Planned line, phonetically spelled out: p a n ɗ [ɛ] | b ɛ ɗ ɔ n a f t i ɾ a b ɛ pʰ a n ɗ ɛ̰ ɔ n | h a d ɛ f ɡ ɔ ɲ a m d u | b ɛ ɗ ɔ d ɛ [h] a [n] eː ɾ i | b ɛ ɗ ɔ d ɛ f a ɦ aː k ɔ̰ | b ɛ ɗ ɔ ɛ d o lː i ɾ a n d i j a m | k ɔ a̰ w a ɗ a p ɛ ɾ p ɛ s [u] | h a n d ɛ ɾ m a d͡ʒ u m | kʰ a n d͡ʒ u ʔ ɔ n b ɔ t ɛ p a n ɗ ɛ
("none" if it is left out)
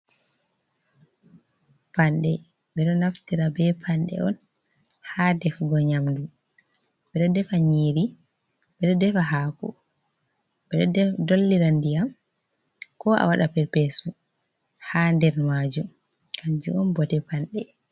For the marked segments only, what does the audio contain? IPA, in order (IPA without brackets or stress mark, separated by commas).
ɛ, f, ɲ, u